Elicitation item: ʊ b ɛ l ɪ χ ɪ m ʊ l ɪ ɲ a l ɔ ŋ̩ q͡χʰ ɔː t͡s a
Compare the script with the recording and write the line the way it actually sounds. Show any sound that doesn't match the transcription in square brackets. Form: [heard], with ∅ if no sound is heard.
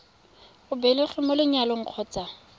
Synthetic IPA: ʊ b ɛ l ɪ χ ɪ m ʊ l ɪ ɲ a l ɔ ŋ̩ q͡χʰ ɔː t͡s a

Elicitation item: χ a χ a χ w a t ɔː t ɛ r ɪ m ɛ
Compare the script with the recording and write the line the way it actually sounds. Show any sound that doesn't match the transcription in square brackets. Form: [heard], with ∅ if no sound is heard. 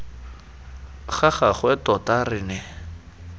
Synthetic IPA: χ a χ a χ w [ɛ] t [ɔ] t [a] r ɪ [n] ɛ

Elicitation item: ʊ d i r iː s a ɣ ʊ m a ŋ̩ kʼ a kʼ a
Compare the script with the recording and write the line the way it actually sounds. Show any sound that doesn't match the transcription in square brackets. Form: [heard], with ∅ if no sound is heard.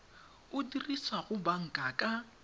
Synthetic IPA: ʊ d i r [i] s a ɣ ʊ [b] a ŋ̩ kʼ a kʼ a

